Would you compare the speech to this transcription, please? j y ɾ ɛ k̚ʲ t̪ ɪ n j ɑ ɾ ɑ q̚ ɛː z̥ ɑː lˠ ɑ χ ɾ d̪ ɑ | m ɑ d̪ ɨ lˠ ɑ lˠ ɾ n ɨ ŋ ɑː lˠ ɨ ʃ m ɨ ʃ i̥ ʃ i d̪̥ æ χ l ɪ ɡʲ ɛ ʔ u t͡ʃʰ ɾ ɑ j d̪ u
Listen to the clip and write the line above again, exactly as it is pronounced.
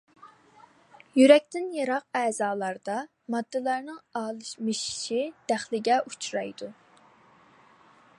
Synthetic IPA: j y ɾ ɛ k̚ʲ t̪ ɪ n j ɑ ɾ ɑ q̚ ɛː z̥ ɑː lˠ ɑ ɾ d̪ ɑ | m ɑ d̪ː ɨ lˠ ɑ ɾ n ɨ ŋ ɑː lˠ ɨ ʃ m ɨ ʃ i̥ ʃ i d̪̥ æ χ l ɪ ɡʲ ɛ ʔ u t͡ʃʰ ɾ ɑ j d̪ u